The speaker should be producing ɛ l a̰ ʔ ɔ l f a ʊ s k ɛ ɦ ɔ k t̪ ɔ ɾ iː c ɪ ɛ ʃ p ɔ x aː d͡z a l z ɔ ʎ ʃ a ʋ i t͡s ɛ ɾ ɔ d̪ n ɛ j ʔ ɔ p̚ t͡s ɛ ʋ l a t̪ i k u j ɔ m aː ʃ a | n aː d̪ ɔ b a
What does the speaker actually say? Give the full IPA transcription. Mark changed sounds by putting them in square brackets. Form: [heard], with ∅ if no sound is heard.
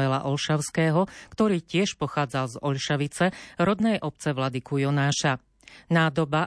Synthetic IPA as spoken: ɛ l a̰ ʔ ɔ l [ʃ] a ʊ s k [ɛː] ɦ ɔ k t̪ ɔ ɾ iː c ɪ ɛ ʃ p ɔ x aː d͡z a l z ɔ ʎ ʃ a ʋ i t͡s ɛ ɾ ɔ d̪ n ɛ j ʔ ɔ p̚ t͡s ɛ ʋ l a [d̪] i k u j ɔ [n] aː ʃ a | n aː d̪ ɔ b a